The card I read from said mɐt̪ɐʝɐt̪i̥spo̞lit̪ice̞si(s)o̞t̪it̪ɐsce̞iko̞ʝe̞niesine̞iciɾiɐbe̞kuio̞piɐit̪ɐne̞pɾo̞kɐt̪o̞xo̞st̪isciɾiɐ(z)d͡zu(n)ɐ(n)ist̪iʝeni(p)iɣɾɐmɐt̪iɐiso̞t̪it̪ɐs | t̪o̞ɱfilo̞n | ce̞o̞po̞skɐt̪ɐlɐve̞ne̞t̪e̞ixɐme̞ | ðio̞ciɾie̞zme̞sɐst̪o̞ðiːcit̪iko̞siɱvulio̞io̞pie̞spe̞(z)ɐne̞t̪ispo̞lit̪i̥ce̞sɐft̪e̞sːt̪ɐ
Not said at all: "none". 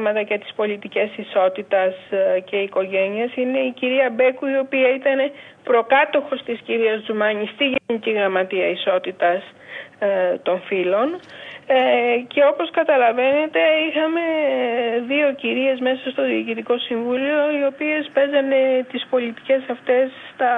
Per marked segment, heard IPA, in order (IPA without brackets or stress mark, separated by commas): s, z, m, ɲ, c, z